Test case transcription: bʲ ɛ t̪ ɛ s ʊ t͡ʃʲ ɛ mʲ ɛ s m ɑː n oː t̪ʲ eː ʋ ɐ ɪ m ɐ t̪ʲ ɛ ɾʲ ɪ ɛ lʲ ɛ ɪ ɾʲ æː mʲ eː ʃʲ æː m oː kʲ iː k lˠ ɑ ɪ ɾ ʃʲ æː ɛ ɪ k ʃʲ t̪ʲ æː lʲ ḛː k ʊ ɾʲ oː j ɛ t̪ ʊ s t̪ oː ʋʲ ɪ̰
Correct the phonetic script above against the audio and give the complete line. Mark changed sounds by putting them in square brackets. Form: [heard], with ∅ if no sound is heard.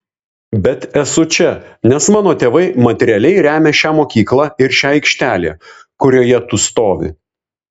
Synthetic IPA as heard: bʲ ɛ t̪ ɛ s ʊ t͡ʃʲ ɛ [nʲ] ɛ s m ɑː n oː t̪ʲ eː ʋ ɐ ɪ m ɐ t̪ʲ ɛ ɾʲ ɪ ɛ lʲ ɛ ɪ ɾʲ æː mʲ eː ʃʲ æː m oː kʲ iː k lˠ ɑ ɪ ɾ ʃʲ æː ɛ ɪ k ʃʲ t̪ʲ æː lʲ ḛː k ʊ ɾʲ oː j ɛ t̪ ʊ s t̪ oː ʋʲ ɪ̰